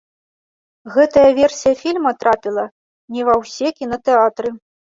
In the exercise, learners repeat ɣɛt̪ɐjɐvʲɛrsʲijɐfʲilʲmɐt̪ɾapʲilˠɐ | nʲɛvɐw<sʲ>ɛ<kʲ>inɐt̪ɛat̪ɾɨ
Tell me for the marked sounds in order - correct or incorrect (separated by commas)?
correct, correct